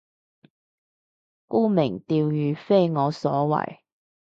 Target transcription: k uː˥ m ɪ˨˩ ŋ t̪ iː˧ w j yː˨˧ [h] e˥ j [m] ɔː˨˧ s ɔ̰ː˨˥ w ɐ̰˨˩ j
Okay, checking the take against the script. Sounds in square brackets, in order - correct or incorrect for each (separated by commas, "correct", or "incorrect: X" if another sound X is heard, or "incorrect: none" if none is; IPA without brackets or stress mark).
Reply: incorrect: f, incorrect: ŋ